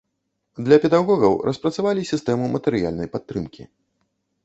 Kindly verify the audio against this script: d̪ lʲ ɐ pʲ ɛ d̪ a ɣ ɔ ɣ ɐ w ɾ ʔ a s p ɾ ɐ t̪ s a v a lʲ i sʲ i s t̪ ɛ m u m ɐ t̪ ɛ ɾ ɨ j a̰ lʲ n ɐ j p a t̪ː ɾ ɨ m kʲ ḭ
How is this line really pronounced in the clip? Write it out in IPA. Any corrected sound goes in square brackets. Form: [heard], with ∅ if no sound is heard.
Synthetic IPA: d̪ lʲ ɐ pʲ ɛ d̪ a ɣ ɔ ɣ ɐ w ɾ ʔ [ɐ] s p ɾ ɐ t̪ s a v a lʲ i sʲ i s t̪ ɛ m u m ɐ t̪ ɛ ɾ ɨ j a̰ lʲ n ɐ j p a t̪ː ɾ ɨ m kʲ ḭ